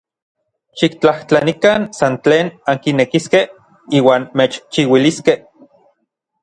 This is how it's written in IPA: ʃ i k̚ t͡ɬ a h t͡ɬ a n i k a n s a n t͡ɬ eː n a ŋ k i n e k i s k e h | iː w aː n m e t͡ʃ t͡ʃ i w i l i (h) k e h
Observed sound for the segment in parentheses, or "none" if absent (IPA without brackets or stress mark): s